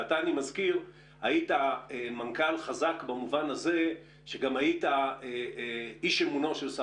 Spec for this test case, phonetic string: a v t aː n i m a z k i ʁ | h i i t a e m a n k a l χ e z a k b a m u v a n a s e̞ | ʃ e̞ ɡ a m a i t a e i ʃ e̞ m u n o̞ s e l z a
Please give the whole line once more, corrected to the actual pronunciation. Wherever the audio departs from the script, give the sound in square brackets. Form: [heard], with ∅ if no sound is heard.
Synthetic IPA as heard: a [∅] t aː n i m a z k i ʁ | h [a] i t a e m a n k a l χ [a] z a k b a m u v a n a [z] e̞ | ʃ e̞ ɡ a m a i t a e i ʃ e̞ m u n o̞ [ʃ] e l [s] a